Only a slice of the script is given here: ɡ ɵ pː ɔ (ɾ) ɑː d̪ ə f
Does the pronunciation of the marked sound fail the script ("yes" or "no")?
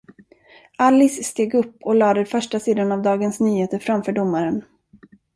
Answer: yes